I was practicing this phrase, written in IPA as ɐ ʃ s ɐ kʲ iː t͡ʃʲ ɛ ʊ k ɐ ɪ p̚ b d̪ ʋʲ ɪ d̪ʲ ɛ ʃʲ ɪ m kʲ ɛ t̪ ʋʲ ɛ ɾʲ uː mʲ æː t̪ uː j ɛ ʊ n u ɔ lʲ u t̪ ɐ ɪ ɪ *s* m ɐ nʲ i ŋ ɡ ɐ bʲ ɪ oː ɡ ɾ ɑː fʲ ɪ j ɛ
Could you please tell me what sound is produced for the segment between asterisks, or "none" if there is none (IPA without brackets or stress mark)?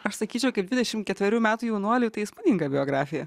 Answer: s